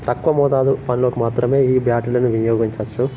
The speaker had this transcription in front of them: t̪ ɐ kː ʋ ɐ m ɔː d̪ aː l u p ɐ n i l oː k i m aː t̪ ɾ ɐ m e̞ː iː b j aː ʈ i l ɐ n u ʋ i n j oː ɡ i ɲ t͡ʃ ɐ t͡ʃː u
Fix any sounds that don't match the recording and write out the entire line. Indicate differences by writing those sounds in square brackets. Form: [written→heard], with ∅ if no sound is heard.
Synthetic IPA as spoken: t̪ ɐ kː ʋ ɐ m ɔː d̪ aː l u p ɐ n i l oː k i m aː t̪ ɾ ɐ m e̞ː iː b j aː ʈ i l ɐ n u ʋ i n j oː ɡ i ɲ t͡ʃ ɐ t͡ʃː u

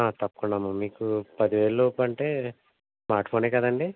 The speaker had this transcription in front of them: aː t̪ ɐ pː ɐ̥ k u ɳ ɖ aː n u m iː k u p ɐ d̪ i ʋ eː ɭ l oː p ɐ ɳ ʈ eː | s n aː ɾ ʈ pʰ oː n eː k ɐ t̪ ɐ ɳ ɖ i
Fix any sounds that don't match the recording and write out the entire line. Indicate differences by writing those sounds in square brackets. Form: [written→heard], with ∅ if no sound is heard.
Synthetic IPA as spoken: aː t̪ ɐ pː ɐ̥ k u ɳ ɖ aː [n→m] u m iː k u p ɐ d̪ i ʋ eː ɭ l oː p ɐ ɳ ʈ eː | s [n→m] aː ɾ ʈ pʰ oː n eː k ɐ [t̪→d̪] ɐ ɳ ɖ i

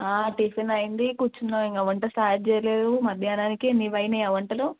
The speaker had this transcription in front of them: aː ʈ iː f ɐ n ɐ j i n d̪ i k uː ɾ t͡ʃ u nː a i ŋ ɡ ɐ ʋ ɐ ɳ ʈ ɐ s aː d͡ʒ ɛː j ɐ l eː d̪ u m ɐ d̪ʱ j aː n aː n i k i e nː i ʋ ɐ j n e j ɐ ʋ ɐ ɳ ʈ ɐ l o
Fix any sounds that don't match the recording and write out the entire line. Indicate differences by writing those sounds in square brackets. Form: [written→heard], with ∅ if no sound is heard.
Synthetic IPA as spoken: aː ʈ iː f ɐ n ɐ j i n d̪ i k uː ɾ t͡ʃ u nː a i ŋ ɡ ɐ ʋ ɐ ɳ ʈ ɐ s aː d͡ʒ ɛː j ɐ l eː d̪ u m ɐ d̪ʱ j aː n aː n i k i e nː i ʋ ɐ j n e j ɐ ʋ ɐ ɳ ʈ ɐ l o

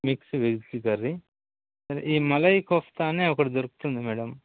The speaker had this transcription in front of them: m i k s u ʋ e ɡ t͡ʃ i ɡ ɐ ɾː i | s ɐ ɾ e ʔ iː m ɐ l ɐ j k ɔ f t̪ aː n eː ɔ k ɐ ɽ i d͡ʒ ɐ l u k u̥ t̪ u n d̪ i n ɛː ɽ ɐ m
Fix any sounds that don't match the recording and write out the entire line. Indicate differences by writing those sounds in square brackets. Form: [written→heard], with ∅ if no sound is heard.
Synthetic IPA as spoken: m i k s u ʋ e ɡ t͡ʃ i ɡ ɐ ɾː i | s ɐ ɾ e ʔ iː m ɐ l ɐ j k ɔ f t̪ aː n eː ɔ k ɐ ɽ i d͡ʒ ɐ [l→ɾ] u k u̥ t̪ u n d̪ i [n→m] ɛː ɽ ɐ m

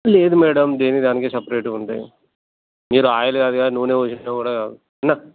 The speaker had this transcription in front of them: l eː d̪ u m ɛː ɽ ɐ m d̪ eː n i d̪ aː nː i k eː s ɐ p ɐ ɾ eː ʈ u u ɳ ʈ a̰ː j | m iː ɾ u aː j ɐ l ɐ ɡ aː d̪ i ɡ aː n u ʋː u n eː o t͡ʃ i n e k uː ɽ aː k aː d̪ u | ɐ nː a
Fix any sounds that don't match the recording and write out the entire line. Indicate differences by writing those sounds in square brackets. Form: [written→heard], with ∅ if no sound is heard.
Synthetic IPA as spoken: l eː d̪ u m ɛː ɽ ɐ m d̪ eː n i d̪ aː [nː→n] i k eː s ɐ p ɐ ɾ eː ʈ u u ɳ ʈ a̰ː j | m iː ɾ u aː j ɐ l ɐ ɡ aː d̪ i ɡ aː n u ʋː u n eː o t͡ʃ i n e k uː ɽ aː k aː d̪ u | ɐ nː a

